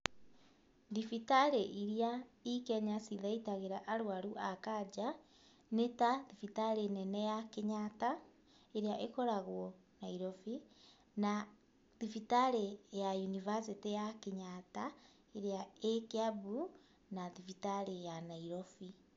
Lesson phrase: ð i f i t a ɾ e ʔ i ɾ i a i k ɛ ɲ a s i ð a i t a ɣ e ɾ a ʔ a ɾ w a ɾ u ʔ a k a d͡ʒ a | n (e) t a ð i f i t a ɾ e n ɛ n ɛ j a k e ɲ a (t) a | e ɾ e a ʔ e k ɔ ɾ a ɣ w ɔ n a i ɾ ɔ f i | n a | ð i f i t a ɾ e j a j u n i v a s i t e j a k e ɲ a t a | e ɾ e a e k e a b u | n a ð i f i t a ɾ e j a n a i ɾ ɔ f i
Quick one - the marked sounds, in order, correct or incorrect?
correct, correct

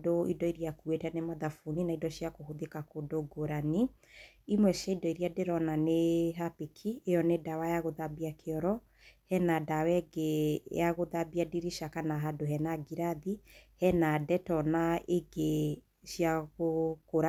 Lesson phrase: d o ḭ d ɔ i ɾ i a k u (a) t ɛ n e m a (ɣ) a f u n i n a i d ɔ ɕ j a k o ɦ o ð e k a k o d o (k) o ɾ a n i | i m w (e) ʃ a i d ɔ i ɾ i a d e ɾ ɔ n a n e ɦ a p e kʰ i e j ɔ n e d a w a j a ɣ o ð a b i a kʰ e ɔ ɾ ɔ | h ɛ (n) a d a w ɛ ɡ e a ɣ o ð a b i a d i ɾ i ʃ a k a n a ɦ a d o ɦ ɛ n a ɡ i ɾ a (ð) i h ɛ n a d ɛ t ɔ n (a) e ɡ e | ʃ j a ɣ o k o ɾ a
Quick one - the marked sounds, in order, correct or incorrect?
incorrect: e, incorrect: ð, incorrect: ɡ, incorrect: ɛ, correct, correct, correct

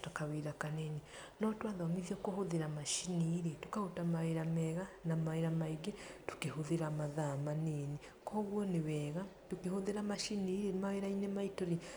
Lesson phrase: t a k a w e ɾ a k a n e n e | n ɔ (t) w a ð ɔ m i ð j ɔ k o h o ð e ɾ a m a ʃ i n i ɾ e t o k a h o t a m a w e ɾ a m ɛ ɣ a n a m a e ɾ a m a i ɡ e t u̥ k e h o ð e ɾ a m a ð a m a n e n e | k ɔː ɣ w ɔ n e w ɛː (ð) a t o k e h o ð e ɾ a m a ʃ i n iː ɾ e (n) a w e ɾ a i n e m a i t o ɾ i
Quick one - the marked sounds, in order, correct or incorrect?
correct, incorrect: ɣ, incorrect: m

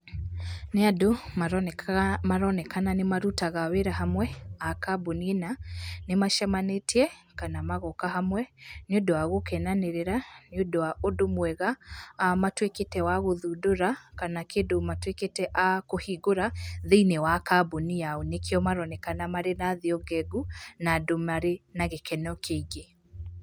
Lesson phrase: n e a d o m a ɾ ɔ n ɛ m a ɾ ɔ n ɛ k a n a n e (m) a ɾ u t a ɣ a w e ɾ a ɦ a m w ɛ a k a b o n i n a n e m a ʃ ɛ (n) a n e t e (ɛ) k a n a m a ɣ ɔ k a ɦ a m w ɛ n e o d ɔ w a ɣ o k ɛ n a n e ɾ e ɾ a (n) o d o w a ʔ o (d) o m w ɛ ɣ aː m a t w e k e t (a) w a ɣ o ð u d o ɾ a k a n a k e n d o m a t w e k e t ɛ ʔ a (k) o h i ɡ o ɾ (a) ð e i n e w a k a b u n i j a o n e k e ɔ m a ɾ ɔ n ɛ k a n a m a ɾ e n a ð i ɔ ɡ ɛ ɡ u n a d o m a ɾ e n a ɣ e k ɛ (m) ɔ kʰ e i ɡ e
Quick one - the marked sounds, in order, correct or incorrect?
correct, incorrect: m, correct, correct, correct, incorrect: ɛ, correct, correct, incorrect: n

